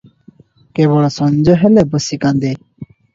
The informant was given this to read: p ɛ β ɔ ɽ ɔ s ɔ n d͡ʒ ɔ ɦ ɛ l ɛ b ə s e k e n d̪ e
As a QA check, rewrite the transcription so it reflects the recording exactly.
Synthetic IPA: k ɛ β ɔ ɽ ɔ s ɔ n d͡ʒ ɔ ɦ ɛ l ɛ b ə s i k a n d̪ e